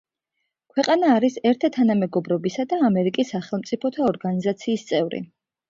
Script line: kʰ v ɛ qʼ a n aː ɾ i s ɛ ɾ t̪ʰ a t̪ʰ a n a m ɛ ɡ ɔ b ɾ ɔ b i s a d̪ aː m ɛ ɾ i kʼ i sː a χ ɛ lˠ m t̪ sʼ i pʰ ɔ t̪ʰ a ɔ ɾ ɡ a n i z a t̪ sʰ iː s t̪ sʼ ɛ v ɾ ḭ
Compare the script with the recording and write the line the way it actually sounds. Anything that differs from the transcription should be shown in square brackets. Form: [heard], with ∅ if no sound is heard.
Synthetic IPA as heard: kʰ [w] ɛ qʼ a n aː ɾ i s ɛ ɾ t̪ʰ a t̪ʰ a n a m ɛ ɡ ɔ b ɾ ɔ b i s a d̪ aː m ɛ ɾ i kʼ i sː a χ ɛ lˠ m t̪ sʼ i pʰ ɔ t̪ʰ a ɔ ɾ ɡ a n i z a t̪ sʰ iː s t̪ sʼ ɛ v ɾ ḭ